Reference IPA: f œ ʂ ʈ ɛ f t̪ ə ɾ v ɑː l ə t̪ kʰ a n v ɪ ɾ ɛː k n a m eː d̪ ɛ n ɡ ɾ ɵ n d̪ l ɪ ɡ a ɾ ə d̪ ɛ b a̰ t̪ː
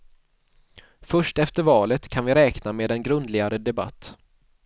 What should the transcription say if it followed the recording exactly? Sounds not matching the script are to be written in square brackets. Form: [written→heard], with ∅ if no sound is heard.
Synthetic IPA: f œ ʂ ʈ ɛ f t̪ ə ɾ v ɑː l ə t̪ kʰ a n v ɪ ɾ ɛː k n a m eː d̪ ɛ n ɡ ɾ ɵ n d̪ l ɪ ɡ a ɾ ə d̪ ɛ b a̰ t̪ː

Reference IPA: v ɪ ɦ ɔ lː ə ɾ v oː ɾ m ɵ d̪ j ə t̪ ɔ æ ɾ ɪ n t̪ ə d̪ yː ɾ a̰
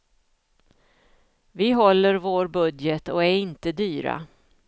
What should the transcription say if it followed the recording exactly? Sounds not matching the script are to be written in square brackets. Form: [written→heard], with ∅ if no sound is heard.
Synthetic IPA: v ɪ ɦ ɔ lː ə ɾ v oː ɾ [m→b] ɵ d̪ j ə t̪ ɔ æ ɾ ɪ n t̪ ə d̪ yː ɾ a̰

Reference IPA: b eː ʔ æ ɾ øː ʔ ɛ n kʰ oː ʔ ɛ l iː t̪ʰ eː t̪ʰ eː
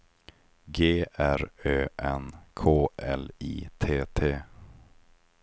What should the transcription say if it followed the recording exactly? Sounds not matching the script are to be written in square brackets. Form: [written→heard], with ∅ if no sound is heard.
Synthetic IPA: [b→ɡ] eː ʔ æ ɾ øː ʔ ɛ n kʰ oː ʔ ɛ l iː t̪ʰ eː t̪ʰ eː

